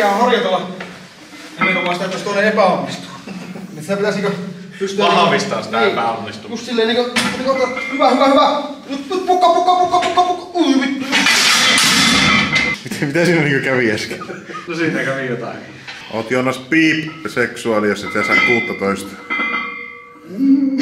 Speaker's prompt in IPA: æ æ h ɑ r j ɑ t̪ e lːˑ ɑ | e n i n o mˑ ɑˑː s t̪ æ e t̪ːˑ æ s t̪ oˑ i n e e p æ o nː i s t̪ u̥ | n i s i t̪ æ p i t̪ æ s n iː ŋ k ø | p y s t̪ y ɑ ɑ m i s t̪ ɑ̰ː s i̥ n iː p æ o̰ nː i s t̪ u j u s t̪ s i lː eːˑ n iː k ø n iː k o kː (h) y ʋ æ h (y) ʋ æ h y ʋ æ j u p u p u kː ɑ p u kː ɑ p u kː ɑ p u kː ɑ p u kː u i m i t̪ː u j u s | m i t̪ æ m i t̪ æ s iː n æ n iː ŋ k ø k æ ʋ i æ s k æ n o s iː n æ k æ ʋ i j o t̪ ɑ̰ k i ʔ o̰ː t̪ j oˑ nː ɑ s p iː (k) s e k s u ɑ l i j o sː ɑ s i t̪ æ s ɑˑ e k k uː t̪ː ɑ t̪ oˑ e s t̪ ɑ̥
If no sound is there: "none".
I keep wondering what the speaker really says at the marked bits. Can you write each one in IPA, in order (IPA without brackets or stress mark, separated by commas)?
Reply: h, y, p